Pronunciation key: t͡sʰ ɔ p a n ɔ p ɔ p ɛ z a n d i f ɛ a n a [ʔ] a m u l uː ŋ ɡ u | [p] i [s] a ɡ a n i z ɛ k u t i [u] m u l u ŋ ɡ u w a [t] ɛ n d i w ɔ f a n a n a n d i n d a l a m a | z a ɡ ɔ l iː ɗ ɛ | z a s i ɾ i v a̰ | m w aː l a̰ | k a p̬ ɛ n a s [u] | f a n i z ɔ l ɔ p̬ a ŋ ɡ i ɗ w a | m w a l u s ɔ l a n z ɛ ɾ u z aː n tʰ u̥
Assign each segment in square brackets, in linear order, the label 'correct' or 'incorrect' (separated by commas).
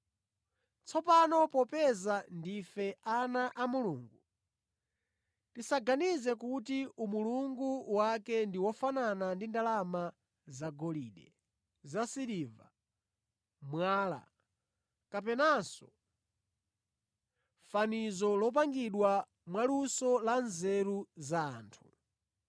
correct, incorrect, correct, correct, incorrect, incorrect